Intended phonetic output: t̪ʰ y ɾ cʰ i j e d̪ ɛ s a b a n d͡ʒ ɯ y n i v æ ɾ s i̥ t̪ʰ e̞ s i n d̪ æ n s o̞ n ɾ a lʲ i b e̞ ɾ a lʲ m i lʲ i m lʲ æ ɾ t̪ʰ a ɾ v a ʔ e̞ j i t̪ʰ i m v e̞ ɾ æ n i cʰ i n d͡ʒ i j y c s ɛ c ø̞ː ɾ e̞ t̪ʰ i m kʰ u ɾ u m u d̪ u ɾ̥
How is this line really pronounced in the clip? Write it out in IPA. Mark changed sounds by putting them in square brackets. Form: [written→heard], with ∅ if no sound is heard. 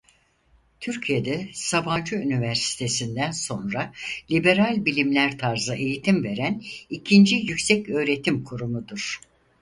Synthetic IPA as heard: t̪ʰ y ɾ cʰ i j e d̪ ɛ s a b a n d͡ʒ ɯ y n i v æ ɾ s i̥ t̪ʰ e̞ s i n d̪ æ n s o̞ n ɾ a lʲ i b e̞ ɾ a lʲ [m→b] i lʲ i m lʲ æ ɾ t̪ʰ a ɾ [v→z] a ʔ e̞ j i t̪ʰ i m v e̞ ɾ æ n i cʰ i n d͡ʒ i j y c s ɛ c ø̞ː ɾ e̞ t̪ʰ i m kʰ u ɾ u m u d̪ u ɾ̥